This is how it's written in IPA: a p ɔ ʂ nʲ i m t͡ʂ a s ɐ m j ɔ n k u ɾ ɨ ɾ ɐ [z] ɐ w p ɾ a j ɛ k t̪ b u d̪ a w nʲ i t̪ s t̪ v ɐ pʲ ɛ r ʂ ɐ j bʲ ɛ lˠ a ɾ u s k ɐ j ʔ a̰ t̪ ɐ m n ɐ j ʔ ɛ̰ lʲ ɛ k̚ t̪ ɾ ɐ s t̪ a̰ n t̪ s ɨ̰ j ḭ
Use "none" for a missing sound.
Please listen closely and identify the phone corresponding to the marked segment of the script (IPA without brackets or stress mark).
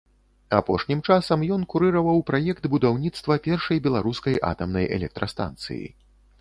v